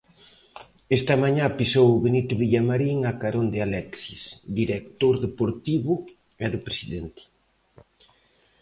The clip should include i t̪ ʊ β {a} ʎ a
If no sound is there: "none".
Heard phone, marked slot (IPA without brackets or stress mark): i